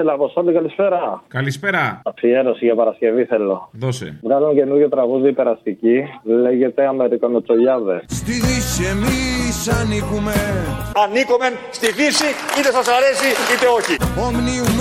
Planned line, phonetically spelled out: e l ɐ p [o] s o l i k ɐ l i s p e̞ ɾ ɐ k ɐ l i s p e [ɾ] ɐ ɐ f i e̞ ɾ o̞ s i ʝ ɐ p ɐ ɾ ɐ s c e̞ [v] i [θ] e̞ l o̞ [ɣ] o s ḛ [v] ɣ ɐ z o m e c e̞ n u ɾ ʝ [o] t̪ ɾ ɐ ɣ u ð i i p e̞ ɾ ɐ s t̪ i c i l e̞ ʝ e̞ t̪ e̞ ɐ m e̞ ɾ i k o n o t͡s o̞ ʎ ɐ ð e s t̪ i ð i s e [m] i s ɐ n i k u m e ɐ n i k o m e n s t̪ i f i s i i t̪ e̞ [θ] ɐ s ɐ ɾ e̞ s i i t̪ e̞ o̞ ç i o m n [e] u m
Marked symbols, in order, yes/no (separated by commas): yes, yes, yes, yes, no, yes, yes, yes, no, no